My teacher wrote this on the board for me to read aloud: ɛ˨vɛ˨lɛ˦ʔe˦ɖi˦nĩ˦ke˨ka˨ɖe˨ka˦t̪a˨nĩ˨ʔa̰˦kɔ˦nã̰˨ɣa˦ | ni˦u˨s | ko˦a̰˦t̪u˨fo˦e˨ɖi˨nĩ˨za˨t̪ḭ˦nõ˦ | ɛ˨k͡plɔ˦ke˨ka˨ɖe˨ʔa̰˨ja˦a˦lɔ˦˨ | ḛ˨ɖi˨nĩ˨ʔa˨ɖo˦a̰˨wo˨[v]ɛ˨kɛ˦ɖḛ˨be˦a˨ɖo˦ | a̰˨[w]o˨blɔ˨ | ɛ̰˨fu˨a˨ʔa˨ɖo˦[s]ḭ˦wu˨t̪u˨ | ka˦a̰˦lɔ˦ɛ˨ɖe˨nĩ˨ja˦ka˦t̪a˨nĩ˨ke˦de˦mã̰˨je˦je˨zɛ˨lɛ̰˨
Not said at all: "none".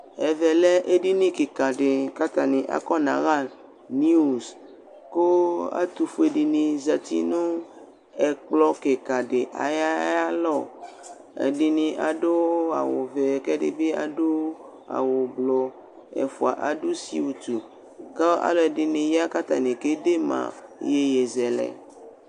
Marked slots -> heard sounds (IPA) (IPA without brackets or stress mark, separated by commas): v, w, s